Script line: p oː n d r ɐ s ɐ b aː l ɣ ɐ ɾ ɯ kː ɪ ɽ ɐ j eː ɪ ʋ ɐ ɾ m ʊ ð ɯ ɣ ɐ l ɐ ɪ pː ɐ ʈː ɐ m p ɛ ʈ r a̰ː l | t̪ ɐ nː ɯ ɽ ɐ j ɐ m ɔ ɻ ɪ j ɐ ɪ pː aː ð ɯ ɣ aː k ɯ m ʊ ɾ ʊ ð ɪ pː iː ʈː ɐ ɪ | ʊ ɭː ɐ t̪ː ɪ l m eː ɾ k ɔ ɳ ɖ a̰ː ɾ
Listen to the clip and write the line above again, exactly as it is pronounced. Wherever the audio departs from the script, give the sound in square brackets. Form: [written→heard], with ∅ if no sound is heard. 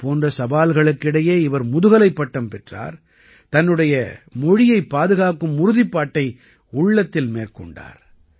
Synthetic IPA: p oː n d r ɐ s ɐ b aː l ɣ ɐ [ɾ→ɭ] ɯ kː ɪ ɽ ɐ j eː ɪ ʋ ɐ ɾ m ʊ ð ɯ ɣ ɐ l ɐ ɪ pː ɐ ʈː ɐ m p ɛ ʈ r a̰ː [l→ɾ] | t̪ ɐ nː ɯ ɽ ɐ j ɐ m ɔ ɻ ɪ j ɐ ɪ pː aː ð ɯ ɣ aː k ɯ m ʊ ɾ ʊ ð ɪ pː [iː→aː] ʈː ɐ ɪ | ʊ ɭː ɐ t̪ː ɪ l m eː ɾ k ɔ ɳ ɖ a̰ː ɾ